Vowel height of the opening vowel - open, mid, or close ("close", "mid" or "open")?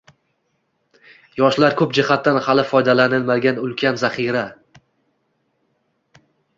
open